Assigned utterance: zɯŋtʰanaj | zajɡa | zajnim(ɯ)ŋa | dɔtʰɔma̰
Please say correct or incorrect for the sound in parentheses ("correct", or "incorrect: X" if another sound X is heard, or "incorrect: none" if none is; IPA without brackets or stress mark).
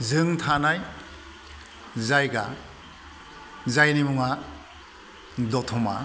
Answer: incorrect: u